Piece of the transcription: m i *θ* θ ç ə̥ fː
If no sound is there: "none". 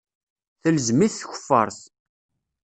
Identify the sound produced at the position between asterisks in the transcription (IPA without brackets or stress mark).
θ